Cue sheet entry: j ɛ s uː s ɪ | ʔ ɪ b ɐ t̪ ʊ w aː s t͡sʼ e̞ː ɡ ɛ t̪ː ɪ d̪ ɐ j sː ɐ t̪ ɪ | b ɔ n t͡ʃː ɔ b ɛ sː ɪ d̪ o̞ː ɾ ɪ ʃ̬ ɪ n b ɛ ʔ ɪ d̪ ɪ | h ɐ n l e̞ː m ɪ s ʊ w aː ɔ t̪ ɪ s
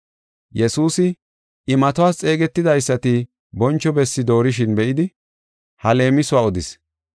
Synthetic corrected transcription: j ɛ s uː s ɪ | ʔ ɪ m ɐ t̪ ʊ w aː s t͡sʼ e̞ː ɡ ɛ t̪ː ɪ d̪ ɐ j sː ɐ t̪ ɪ | b ɔ n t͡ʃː ɔ b ɛ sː ɪ d̪ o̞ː ɾ ɪ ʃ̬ ɪ n b ɛ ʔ ɪ d̪ ɪ | h ɐ l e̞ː m ɪ s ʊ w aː ɔ d̪ ɪ s